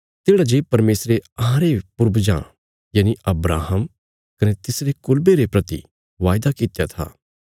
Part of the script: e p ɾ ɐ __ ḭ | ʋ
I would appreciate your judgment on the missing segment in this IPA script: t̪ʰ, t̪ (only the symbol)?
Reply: t̪